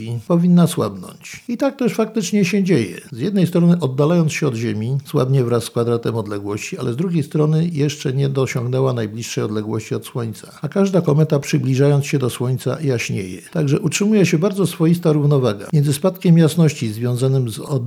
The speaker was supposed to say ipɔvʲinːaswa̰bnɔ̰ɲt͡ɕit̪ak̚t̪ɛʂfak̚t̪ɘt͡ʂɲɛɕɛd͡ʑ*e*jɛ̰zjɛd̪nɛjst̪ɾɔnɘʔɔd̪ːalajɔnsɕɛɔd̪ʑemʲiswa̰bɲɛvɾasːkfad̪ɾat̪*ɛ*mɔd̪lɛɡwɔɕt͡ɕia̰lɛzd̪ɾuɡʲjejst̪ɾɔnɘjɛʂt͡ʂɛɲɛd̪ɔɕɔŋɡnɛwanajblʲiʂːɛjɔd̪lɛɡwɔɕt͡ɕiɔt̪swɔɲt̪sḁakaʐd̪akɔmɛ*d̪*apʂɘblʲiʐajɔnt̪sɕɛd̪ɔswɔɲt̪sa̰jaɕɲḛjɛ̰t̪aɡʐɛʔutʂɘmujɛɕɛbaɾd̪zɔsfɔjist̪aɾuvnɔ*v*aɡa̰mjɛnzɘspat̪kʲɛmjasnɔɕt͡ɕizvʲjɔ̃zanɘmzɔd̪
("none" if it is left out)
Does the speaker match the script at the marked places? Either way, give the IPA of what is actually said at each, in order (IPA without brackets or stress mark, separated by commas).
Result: e, ɛ, t̪, v